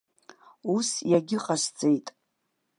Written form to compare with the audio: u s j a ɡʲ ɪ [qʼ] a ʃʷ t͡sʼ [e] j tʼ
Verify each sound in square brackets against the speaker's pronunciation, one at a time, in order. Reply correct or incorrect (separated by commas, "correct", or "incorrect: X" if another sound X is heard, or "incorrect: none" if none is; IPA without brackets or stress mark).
correct, correct